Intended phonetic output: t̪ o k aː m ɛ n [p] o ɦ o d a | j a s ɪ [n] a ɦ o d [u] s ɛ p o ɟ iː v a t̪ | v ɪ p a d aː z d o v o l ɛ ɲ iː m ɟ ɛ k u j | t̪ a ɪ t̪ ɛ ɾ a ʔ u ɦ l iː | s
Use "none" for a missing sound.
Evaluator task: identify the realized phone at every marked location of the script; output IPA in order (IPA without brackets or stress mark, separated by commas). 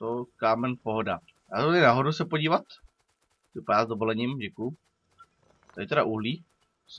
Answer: p, n, u